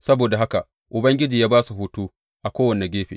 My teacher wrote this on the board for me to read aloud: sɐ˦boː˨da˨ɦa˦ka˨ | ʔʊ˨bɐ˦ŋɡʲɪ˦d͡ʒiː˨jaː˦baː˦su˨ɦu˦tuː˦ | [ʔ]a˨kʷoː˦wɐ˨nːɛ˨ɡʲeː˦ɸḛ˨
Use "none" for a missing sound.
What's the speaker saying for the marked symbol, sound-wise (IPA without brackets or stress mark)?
ʔ